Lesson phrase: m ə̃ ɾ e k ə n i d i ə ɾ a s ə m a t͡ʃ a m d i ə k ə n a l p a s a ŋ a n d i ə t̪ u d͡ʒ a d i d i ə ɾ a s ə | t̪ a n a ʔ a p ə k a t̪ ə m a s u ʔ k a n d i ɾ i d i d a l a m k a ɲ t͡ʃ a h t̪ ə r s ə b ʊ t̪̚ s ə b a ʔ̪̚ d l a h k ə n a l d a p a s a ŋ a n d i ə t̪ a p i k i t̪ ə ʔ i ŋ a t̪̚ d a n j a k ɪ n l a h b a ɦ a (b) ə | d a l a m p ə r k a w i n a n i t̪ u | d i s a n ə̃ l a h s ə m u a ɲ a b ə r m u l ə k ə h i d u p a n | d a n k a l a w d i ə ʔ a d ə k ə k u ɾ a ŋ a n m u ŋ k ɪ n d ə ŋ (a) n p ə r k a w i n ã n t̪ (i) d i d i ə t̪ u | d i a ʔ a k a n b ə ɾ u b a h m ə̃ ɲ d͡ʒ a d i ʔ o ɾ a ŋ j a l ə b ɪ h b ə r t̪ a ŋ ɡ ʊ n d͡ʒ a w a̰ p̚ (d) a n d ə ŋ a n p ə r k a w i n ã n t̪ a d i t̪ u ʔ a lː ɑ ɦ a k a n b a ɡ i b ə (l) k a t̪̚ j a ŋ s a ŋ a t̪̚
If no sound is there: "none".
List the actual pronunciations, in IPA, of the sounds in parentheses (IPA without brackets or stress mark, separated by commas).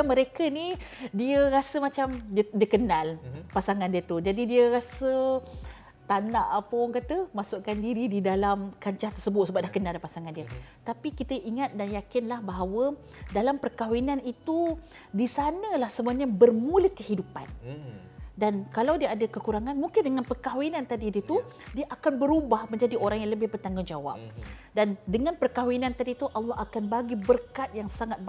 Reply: w, a, a, d, r